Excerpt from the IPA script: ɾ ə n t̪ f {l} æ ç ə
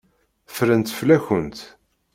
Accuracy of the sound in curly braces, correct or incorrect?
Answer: correct